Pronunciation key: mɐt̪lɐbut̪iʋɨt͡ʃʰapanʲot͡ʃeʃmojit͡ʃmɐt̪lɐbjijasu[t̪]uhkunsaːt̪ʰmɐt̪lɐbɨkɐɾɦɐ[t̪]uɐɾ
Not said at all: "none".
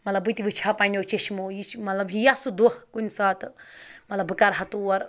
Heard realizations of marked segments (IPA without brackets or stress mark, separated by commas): d̪, t̪